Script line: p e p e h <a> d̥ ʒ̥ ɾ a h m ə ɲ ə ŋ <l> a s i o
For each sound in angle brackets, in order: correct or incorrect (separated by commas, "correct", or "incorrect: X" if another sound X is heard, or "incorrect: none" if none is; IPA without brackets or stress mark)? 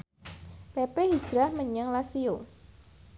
incorrect: i, correct